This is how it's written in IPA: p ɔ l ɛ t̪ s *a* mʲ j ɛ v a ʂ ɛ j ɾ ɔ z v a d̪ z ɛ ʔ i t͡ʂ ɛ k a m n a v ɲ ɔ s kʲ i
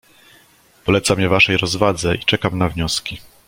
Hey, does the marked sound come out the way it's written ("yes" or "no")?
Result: yes